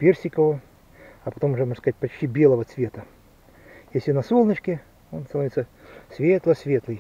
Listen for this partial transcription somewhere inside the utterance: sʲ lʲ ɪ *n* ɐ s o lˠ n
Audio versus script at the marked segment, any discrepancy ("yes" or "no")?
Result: no